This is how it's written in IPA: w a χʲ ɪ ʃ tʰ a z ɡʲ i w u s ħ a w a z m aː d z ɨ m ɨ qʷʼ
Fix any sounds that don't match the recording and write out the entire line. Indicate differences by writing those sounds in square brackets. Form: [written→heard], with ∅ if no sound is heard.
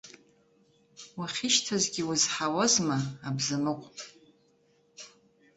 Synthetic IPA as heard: w a χʲ ɪ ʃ tʰ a z ɡʲ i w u [s→z] ħ a w a z m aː [d→b] z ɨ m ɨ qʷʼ